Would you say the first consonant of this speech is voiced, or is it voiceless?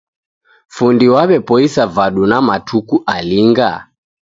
voiceless